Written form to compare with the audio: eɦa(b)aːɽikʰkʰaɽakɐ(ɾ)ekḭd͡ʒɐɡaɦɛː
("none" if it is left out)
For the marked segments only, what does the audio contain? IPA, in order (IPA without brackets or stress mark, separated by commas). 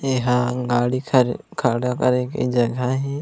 ɡ, ɾ